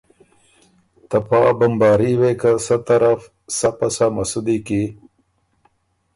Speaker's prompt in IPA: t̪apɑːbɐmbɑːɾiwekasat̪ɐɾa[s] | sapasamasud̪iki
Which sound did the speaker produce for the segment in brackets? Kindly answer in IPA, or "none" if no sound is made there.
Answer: f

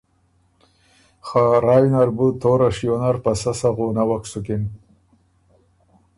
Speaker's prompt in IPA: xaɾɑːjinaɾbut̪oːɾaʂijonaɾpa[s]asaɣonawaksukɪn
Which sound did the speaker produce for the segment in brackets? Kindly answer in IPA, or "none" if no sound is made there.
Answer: s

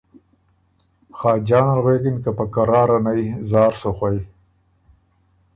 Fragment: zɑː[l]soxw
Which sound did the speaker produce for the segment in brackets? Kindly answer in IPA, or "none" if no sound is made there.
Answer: ɾ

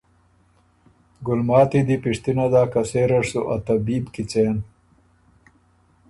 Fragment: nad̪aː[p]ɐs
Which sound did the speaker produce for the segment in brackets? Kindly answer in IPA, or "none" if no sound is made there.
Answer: k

